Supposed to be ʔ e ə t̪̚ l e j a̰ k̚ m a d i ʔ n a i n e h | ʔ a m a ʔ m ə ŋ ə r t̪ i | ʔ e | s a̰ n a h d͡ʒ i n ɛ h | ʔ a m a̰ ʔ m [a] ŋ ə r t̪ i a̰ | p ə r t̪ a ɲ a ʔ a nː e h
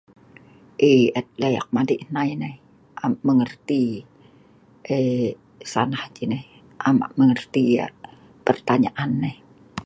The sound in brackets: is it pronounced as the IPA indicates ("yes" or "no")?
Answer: no